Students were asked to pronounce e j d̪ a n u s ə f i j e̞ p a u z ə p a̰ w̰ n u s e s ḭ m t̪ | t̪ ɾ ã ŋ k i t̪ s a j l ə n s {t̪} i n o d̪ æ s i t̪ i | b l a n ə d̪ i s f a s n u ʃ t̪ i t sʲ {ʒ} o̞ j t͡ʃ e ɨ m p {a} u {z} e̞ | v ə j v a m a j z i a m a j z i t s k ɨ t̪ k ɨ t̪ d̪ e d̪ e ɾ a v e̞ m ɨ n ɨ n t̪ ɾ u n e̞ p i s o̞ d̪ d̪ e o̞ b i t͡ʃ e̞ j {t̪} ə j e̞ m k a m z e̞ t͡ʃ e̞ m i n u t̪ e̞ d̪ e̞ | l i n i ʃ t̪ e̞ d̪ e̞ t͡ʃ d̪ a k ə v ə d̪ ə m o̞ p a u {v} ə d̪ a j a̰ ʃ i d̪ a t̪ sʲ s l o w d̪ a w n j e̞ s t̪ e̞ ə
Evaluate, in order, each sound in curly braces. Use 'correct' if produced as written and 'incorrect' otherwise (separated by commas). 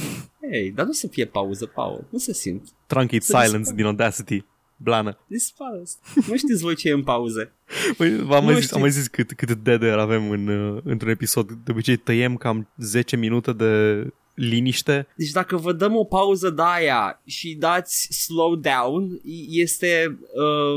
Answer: incorrect, incorrect, correct, correct, correct, incorrect